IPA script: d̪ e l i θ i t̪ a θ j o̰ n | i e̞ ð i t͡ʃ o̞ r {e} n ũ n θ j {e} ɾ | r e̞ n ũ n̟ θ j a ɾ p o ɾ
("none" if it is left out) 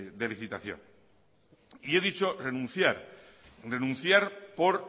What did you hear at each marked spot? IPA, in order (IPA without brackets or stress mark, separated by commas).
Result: e, a